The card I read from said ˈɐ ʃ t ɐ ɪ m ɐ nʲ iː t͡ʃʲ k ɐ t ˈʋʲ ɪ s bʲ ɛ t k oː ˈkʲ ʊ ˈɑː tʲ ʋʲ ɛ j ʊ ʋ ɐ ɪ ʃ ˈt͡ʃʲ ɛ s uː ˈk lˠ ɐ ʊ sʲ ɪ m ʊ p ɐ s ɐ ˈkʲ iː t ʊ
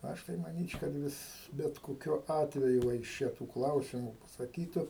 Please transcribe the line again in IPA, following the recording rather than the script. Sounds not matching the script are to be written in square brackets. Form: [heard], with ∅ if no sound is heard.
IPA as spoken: ˈɐ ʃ t ɐ ɪ m ɐ nʲ iː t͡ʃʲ k ɐ t ˈʋʲ ɪ s bʲ ɛ t k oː ˈkʲ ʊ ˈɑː tʲ ʋʲ ɛ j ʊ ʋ ɐ ɪ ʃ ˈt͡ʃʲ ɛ [t] uː ˈk lˠ ɐ ʊ sʲ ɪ m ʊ p ɐ s ɐ ˈkʲ iː t ʊ